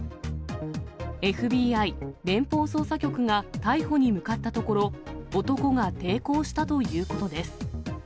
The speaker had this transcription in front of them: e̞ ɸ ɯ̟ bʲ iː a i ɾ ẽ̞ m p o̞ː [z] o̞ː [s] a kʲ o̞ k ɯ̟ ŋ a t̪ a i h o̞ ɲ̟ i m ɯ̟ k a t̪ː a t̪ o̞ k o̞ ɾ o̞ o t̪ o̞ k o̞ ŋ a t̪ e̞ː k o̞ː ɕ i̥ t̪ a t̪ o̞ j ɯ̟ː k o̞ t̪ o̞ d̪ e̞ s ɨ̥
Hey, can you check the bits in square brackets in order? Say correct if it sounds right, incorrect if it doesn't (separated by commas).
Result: incorrect, correct